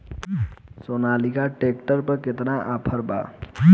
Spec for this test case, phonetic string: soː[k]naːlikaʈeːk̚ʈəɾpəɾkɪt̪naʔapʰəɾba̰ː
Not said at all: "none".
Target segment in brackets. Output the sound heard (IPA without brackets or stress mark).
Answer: none